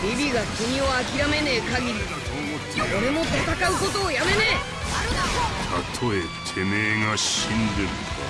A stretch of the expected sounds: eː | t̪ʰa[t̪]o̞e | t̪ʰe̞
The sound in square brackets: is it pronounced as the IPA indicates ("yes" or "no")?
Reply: no